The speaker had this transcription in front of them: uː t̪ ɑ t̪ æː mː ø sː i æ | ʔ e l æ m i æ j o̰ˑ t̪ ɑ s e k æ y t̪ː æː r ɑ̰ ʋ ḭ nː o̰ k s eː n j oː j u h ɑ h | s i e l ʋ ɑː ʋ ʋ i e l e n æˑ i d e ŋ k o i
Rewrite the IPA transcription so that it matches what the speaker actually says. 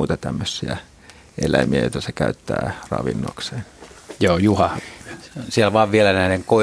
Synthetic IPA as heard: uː t̪ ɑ t̪ æ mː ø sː i æ | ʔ e l æ m i æ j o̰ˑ t̪ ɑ s e k æ y t̪ː æː r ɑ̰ ʋ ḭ nː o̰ k s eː n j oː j u h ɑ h | s i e l ʋ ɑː ʋ ʋ i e l æ n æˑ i n e ŋ k o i